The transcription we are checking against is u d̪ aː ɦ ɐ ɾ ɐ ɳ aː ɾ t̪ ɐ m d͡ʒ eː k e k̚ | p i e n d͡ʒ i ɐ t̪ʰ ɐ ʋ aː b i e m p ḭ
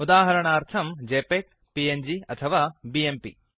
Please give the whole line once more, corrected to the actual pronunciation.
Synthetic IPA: u d̪ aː ɦ ɐ ɾ ɐ ɳ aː ɾ t̪ʰ ɐ m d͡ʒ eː p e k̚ | p i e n d͡ʒ i ɐ t̪ʰ ɐ ʋ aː b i e m p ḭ